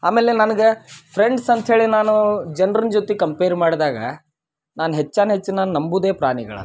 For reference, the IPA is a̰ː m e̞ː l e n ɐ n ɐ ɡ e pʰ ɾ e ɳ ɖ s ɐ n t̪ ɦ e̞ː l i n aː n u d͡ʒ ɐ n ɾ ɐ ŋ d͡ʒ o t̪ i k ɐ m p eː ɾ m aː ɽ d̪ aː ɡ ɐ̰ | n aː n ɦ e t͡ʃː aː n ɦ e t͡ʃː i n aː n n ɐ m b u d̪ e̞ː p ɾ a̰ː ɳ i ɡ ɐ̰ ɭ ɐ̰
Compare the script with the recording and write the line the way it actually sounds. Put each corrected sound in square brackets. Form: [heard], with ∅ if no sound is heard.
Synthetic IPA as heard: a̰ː m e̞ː l e n ɐ n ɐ ɡ e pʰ ɾ e ɳ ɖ s ɐ n t̪ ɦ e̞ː [ɭ] i n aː n u d͡ʒ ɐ n ɾ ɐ [n] d͡ʒ o t̪ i k ɐ m p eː ɾ m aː ɽ d̪ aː ɡ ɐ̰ | n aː n ɦ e t͡ʃː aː n ɦ e t͡ʃː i n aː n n ɐ m b u d̪ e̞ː p ɾ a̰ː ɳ i ɡ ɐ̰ ɭ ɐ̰